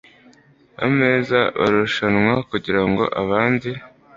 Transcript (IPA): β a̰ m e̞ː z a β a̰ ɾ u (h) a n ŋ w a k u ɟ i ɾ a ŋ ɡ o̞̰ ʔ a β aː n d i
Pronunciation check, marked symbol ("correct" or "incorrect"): incorrect